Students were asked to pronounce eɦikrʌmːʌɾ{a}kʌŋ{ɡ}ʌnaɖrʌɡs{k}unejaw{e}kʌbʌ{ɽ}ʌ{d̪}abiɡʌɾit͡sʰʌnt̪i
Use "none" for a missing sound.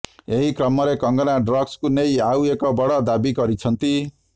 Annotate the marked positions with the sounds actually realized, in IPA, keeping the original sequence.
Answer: e, ɡ, k, e, ɽ, d̪

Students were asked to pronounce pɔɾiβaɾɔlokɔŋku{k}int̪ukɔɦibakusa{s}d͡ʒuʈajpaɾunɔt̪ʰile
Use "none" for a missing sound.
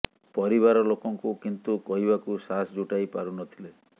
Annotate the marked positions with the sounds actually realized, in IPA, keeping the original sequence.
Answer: k, s

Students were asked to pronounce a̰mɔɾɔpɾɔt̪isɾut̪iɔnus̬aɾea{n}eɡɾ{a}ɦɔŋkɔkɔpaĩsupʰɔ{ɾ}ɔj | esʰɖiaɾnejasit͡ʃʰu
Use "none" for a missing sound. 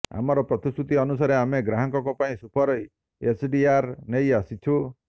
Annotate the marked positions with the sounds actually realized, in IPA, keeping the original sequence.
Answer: m, a, ɾ

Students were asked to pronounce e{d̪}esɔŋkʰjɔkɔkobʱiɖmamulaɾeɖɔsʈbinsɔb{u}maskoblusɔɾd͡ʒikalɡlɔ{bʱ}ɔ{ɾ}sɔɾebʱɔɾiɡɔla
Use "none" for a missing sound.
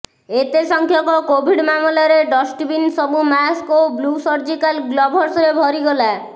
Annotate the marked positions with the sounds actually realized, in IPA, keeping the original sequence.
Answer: t̪, u, bʱ, ɾ

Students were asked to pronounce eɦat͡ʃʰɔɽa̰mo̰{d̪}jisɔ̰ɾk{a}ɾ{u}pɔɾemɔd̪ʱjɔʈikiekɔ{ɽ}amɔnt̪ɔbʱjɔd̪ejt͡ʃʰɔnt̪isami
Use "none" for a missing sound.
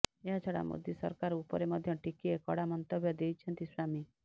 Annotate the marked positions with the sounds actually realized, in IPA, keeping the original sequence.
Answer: d̪, a, u, ɽ

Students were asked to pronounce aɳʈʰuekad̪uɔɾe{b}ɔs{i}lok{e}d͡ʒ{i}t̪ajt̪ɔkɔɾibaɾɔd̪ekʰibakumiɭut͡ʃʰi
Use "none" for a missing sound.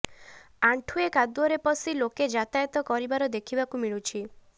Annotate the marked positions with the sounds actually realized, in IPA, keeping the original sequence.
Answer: p, i, e, a

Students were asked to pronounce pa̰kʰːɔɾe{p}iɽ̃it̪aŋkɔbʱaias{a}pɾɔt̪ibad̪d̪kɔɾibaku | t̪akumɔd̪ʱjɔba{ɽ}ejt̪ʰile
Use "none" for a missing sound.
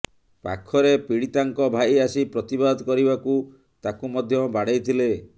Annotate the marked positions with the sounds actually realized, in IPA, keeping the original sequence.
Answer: p, i, ɽ

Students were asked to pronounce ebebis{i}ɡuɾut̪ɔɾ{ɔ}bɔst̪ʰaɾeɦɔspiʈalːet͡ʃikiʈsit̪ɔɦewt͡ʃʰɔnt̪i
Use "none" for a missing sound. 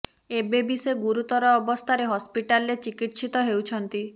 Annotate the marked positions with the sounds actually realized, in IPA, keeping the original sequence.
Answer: e, ɔː

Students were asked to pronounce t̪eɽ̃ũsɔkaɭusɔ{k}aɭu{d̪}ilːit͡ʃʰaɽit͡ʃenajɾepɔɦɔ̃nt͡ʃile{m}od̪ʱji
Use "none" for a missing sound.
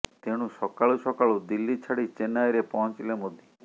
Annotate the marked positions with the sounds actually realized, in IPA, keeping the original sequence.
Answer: k, d̪, m

